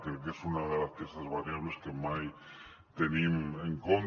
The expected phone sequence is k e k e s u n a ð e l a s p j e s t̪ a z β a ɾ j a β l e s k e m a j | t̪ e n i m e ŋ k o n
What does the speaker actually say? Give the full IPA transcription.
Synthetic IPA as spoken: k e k e s u n a ð e l a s p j e s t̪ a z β a ɾ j a β l e s k e m a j | t̪ e n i m e ŋ k o n